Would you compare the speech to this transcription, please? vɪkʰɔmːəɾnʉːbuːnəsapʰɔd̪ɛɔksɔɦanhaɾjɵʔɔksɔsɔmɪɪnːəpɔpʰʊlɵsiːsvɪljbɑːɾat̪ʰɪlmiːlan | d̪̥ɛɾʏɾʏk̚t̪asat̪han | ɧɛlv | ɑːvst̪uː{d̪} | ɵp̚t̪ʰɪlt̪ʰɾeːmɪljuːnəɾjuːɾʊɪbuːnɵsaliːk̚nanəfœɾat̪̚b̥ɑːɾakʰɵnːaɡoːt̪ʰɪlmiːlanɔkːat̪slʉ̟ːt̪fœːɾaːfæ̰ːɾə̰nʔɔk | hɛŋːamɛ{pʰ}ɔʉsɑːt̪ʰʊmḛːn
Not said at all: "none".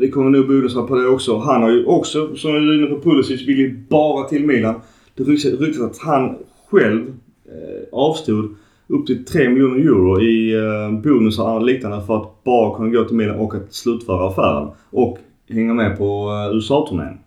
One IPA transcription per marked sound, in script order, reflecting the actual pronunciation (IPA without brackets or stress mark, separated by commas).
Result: d̪, pʰ